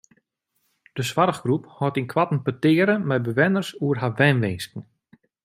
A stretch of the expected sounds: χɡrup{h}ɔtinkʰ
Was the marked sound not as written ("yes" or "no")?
no